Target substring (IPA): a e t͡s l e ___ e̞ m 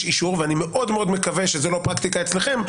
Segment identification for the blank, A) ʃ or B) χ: B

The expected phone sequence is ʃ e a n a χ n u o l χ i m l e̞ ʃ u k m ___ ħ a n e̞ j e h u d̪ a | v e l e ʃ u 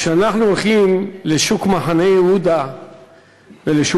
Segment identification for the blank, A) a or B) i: A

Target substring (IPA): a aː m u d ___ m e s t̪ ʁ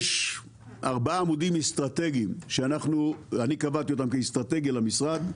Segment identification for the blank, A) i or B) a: A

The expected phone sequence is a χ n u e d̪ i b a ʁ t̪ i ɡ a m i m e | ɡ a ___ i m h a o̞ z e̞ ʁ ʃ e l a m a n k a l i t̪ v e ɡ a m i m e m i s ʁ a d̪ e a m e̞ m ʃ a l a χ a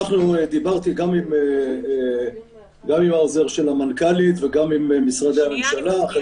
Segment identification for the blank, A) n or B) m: B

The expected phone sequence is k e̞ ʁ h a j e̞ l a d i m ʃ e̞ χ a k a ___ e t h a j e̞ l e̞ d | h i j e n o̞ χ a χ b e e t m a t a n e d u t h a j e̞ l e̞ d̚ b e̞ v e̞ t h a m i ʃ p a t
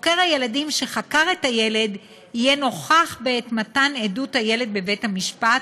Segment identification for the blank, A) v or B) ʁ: B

